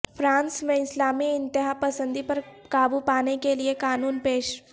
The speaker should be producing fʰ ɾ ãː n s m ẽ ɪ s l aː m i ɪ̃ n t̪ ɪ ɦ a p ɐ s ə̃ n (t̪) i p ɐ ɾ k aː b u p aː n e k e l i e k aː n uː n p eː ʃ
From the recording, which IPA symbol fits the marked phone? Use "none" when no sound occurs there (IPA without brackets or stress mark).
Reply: d̪